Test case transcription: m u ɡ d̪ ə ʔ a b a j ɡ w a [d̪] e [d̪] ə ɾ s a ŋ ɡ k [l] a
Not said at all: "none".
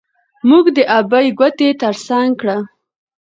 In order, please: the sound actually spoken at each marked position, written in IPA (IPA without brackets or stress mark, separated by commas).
t̪, t̪, ɽ